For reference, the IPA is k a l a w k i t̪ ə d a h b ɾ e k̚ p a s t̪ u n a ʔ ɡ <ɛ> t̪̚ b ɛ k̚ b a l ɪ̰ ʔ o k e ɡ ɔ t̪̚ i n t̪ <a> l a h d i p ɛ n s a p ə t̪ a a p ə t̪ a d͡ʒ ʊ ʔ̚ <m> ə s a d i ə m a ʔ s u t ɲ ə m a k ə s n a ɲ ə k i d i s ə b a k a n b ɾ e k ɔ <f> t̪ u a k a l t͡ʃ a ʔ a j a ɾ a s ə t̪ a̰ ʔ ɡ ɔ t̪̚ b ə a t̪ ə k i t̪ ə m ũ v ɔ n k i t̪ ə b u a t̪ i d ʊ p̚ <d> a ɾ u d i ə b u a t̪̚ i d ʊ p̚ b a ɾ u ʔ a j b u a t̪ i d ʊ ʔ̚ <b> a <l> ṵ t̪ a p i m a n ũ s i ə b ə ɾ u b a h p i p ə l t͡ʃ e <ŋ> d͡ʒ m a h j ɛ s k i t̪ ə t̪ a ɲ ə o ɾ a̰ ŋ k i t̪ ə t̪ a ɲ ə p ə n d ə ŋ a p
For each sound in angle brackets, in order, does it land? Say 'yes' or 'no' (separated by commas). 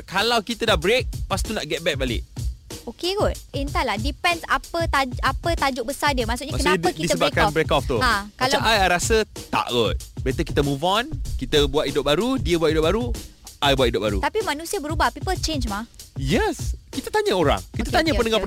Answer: yes, yes, no, yes, no, yes, no, no